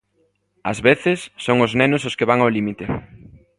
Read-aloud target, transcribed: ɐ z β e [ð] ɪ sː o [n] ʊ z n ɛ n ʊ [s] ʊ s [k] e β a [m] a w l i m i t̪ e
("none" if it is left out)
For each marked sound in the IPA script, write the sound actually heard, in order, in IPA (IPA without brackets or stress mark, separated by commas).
θ, ŋ, s, k, ŋ